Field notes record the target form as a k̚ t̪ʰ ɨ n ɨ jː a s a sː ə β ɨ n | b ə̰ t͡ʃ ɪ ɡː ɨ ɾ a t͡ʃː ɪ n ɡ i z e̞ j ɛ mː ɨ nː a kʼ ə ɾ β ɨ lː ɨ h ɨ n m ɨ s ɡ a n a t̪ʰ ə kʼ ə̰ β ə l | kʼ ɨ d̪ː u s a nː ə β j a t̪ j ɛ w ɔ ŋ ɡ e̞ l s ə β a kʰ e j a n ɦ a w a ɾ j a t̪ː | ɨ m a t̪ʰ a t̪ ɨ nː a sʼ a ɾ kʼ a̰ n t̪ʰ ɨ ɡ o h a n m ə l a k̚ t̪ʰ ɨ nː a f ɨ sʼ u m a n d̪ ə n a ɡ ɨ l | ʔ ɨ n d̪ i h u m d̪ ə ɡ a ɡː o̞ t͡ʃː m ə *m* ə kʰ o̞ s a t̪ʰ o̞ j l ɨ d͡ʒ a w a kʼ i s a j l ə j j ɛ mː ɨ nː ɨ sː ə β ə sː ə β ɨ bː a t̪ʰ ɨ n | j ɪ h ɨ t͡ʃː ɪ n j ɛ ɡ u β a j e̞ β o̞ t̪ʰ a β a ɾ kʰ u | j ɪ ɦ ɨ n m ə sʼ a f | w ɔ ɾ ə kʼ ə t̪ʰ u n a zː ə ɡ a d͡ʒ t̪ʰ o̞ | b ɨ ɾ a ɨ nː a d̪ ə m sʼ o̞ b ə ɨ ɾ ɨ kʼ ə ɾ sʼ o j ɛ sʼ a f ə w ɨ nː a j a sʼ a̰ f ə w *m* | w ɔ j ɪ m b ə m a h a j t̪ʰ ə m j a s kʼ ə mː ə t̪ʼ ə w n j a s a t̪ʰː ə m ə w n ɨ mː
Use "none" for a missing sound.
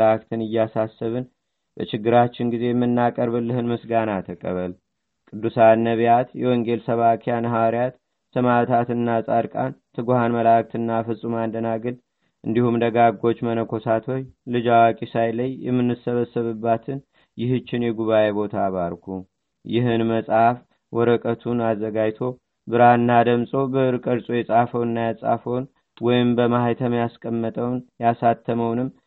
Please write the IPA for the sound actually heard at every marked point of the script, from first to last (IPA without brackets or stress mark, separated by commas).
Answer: n, n